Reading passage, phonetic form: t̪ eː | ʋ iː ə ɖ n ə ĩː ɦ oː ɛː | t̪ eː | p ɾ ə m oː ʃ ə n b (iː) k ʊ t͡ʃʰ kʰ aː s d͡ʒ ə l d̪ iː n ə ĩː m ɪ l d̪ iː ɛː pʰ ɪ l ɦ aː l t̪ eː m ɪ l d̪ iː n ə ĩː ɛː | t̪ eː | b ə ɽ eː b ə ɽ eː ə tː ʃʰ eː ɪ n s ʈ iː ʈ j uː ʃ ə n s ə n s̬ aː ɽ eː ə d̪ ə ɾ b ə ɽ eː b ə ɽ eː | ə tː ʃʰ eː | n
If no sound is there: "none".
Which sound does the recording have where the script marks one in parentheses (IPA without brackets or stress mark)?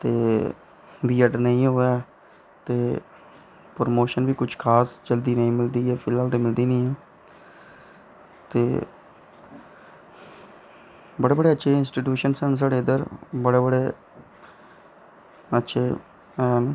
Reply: iː